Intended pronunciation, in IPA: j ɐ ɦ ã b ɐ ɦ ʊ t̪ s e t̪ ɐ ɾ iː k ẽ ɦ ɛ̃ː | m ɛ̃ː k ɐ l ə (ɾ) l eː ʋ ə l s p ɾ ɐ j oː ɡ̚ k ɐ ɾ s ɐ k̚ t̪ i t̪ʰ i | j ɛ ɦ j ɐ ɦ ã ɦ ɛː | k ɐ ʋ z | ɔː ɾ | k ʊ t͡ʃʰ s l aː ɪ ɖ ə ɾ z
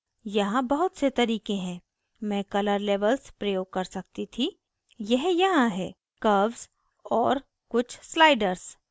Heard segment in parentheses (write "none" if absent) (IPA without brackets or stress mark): ɾ